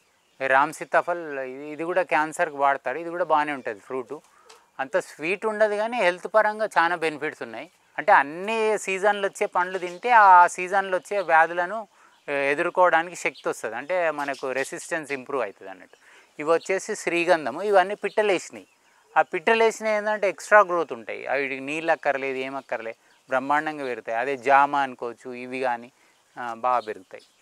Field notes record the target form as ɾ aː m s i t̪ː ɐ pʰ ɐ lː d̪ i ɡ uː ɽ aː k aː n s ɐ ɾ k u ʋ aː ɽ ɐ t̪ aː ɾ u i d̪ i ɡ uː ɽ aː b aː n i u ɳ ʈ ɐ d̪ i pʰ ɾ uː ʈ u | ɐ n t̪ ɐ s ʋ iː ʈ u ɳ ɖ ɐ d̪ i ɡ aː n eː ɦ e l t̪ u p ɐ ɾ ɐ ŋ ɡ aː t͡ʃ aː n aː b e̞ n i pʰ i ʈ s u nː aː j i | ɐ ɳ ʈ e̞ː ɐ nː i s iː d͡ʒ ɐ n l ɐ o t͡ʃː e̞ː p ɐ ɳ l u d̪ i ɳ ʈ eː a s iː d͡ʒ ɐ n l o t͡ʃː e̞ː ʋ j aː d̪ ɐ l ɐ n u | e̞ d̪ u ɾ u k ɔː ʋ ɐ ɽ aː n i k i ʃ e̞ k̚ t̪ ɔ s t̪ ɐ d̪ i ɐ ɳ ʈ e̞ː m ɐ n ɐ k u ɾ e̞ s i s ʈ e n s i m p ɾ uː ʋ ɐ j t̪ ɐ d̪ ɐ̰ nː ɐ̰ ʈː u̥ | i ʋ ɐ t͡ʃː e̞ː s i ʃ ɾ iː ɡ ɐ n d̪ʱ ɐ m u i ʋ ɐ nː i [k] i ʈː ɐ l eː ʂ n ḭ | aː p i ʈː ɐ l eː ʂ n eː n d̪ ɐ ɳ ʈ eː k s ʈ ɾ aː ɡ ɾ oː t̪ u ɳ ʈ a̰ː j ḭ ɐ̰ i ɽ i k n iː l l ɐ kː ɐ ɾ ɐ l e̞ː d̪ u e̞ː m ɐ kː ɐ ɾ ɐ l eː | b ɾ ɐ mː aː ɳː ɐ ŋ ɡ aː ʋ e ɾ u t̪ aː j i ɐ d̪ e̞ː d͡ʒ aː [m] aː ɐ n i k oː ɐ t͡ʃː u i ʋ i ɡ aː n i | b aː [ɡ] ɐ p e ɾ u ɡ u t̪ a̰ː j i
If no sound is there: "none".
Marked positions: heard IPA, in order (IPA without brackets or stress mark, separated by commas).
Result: p, m, ɡ